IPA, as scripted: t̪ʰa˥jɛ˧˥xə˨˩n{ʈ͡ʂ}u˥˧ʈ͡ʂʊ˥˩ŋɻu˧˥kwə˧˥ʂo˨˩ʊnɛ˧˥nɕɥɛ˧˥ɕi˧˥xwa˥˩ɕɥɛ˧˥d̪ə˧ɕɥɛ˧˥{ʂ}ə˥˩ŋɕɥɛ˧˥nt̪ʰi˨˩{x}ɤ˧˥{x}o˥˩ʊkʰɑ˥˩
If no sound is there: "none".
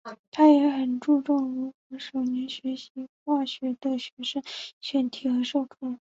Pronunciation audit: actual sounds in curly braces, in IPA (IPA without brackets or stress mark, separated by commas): ʈ͡ʂ, ʂ, x, ʂ